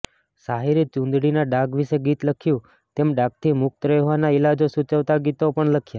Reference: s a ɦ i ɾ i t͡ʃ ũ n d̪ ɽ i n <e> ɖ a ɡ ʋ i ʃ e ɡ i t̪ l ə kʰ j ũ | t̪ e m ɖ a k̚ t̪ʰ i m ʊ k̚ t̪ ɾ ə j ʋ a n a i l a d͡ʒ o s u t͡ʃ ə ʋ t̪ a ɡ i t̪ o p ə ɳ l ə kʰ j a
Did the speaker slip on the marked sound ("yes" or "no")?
yes